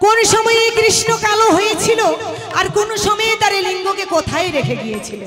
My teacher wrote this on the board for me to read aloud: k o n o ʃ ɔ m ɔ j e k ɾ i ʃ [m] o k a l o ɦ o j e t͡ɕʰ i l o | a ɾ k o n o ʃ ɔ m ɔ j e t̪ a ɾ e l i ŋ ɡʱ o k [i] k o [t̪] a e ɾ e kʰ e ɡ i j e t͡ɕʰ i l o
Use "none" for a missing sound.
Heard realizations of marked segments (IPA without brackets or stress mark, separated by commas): n, e, t̪ʰ